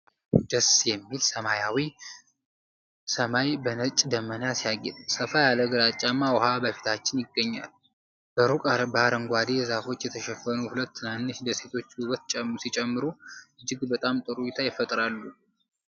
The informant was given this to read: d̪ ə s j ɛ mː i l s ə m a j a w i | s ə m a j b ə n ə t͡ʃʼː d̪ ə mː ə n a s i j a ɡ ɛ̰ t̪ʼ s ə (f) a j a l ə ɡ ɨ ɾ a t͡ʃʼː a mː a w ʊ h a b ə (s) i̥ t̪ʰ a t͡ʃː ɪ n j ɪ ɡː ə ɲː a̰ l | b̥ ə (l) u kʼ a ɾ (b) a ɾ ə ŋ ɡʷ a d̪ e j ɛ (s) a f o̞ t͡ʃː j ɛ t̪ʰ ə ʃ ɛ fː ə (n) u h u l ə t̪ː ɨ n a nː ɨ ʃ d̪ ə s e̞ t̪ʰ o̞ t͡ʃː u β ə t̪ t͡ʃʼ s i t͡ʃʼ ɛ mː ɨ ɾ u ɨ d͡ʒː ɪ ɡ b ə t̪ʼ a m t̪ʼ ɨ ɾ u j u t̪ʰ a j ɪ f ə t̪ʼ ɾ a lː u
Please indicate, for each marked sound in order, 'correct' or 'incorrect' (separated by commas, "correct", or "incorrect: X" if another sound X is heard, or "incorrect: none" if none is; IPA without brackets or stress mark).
correct, incorrect: f, incorrect: ɾ, correct, incorrect: z, correct